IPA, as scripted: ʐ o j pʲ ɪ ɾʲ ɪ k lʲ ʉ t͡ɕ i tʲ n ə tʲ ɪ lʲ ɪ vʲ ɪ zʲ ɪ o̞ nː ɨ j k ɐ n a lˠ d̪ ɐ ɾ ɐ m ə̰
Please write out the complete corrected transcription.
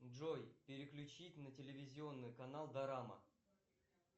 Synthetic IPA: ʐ o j pʲ ɪ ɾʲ ɪ k lʲ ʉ t͡ɕ i tʲ n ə tʲ ɪ lʲ ɪ vʲ ɪ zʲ ɪ o̞ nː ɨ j k ɐ n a lˠ d̪ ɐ ɾ a m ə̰